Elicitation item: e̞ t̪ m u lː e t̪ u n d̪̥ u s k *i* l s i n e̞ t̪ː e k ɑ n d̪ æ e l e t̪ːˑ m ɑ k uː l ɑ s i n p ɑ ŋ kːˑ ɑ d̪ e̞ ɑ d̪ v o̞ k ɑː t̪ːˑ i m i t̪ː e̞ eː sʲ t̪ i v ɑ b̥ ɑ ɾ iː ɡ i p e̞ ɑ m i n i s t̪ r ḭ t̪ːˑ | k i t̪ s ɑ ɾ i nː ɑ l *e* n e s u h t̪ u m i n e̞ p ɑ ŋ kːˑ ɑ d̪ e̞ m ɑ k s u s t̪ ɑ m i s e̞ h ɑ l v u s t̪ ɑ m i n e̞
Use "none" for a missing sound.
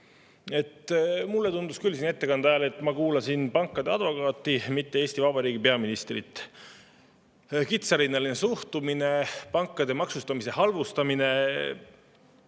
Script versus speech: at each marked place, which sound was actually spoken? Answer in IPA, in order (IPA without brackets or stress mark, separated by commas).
y, i